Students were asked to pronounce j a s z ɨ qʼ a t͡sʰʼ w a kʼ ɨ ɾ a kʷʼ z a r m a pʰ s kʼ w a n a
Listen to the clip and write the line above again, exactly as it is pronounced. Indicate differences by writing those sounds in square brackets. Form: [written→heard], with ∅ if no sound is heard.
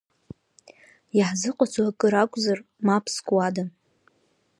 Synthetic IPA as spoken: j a [s→ħ] z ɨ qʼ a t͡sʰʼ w a kʼ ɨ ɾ a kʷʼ z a r m a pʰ s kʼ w a [n→d] a